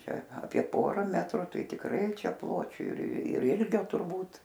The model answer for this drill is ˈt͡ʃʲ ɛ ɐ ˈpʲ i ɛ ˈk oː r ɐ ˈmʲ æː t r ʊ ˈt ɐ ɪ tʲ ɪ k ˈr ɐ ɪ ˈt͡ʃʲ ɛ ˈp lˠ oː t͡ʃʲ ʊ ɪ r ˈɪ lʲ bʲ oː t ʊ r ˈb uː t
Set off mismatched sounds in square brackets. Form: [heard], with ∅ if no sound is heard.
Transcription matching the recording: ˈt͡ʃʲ ɛ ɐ ˈpʲ i ɛ [ˈp] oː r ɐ ˈmʲ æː t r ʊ ˈt ɐ ɪ tʲ ɪ k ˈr ɐ ɪ ˈt͡ʃʲ ɛ ˈp lˠ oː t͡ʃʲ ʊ ɪ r ˈɪ lʲ [ɡʲ] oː t ʊ r ˈb uː t